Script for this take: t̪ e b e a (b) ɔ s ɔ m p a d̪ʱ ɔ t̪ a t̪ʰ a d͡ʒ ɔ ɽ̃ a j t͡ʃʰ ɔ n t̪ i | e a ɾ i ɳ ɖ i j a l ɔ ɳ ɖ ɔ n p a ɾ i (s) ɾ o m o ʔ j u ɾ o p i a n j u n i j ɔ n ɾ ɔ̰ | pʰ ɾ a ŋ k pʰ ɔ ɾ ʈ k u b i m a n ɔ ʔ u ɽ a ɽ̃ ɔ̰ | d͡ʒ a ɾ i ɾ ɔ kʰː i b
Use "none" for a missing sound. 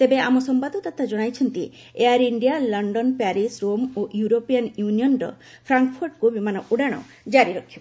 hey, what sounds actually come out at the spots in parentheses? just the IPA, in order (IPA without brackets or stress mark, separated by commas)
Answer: m, s